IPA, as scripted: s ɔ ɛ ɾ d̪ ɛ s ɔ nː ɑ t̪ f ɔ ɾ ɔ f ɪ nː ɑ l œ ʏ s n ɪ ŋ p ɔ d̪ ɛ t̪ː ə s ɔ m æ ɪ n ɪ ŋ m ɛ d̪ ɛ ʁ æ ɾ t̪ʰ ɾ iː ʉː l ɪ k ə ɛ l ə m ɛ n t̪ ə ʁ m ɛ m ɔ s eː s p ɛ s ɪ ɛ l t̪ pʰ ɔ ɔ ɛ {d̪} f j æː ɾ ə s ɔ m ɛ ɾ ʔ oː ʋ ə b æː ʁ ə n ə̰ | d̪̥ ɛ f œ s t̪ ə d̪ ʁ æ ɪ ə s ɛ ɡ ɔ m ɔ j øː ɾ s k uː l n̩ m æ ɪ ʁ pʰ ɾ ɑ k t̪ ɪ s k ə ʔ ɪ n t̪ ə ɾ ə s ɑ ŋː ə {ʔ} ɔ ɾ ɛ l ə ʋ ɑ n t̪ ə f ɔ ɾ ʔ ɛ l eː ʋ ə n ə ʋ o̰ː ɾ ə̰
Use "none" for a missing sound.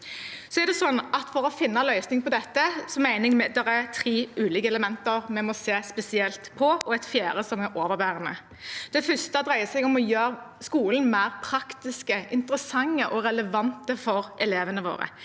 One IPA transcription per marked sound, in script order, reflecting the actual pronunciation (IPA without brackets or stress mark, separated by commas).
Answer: t̪, ʔ